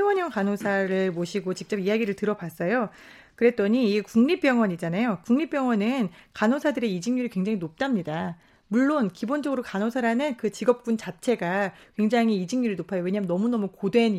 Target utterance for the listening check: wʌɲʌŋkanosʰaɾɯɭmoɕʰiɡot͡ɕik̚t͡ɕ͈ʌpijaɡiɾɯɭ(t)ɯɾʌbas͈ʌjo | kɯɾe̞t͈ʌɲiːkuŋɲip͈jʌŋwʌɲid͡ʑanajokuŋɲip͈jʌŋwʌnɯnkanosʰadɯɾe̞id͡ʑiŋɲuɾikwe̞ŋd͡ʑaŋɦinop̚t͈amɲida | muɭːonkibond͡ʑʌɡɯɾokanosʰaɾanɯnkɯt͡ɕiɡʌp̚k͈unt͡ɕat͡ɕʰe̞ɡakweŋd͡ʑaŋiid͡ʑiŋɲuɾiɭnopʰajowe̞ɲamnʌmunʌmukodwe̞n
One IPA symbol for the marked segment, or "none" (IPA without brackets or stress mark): t